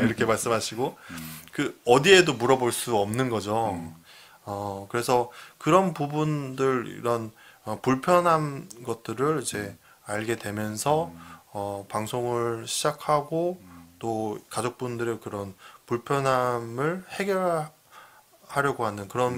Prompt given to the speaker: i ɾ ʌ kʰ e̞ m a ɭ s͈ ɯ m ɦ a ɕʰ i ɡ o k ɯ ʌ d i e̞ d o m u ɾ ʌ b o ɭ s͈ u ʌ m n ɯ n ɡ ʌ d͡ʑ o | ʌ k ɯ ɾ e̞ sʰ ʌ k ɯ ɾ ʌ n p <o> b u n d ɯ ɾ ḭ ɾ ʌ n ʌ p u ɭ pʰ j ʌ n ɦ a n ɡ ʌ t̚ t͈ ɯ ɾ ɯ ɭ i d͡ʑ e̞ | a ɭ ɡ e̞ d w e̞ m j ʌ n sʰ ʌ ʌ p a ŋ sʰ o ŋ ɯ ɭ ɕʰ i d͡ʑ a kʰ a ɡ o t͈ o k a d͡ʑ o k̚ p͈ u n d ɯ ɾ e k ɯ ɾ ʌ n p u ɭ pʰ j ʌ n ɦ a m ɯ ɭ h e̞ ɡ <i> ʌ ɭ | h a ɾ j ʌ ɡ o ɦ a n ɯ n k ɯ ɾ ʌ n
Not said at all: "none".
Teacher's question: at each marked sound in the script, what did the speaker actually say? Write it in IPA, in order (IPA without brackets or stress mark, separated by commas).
u, j